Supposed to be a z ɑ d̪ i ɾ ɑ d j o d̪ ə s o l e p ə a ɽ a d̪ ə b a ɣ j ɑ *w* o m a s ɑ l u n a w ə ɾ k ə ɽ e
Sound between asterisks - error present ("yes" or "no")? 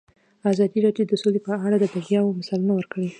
no